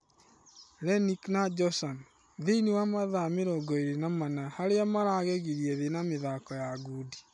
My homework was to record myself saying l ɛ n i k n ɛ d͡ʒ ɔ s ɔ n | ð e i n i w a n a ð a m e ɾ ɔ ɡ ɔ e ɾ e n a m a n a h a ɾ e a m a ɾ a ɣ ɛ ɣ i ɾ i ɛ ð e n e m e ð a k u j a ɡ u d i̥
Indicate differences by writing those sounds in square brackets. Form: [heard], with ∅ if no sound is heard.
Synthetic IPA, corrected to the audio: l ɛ n i k n [a] d͡ʒ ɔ s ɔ n | ð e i n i w a [m] a ð a m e ɾ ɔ ɡ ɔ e ɾ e n a m a n a h a ɾ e a m a ɾ a ɣ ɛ ɣ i ɾ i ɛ ð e n [a] m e ð a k [ɔ] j a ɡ u d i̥